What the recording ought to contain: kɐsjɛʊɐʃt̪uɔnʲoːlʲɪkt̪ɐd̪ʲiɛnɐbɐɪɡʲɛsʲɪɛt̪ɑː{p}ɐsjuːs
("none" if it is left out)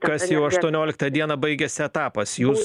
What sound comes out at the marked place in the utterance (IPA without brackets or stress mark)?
p